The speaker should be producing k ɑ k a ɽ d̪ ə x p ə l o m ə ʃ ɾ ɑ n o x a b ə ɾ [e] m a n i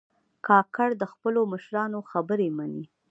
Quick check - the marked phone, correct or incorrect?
correct